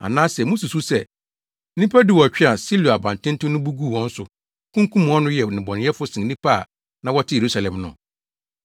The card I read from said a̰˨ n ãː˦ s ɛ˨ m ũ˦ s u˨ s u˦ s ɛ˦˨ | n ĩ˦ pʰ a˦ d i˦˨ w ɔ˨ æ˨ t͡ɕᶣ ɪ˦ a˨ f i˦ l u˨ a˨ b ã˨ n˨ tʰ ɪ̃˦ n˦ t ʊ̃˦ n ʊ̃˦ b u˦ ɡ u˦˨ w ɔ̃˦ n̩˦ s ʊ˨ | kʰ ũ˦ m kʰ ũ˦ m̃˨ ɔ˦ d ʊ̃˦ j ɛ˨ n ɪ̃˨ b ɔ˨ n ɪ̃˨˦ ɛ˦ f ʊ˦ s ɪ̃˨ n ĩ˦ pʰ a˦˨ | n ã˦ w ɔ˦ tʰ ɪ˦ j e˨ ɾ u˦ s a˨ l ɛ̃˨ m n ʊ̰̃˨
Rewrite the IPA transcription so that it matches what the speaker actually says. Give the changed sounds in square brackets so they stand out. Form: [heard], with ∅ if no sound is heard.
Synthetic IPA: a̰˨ n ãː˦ s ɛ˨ m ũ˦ s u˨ s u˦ s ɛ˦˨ | n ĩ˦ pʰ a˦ d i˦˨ w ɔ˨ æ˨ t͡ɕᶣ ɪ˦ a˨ [s] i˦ l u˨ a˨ b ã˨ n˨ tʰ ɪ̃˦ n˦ t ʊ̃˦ n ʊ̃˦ b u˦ ɡ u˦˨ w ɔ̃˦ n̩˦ s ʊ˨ | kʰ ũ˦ [ŋ] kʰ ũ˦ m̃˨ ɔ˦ [n] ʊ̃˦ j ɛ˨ n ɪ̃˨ b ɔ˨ n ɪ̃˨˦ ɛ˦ f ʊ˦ s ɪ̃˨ n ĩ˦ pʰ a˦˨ | n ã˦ w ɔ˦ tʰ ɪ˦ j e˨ ɾ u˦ s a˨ l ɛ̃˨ m n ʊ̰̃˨